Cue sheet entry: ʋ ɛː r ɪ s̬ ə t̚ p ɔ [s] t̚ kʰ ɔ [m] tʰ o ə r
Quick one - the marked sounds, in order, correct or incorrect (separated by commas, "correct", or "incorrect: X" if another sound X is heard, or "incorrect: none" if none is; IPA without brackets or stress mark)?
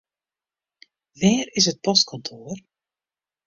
correct, incorrect: n